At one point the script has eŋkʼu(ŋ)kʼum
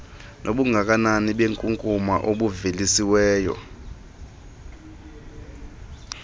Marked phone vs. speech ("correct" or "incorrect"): correct